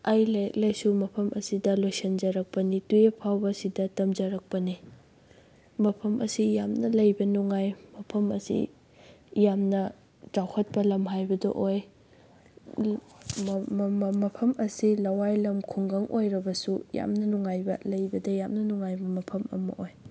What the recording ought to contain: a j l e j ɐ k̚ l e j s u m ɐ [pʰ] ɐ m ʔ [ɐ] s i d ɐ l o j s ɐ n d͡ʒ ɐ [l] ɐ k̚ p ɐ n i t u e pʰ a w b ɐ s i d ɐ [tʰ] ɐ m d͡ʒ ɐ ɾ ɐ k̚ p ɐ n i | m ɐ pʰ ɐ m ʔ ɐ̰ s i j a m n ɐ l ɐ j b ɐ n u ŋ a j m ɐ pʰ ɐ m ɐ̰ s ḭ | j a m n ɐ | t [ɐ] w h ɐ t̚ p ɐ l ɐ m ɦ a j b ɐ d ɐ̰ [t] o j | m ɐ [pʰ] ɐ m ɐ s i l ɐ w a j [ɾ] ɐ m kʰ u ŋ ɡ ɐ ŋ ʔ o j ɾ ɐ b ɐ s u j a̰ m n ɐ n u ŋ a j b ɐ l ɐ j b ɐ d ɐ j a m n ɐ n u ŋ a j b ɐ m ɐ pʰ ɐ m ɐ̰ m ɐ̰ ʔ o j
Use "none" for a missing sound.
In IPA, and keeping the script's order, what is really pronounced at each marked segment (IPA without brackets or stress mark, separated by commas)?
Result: pʰ, ɐ, ɾ, t, a, ʔ, pʰ, l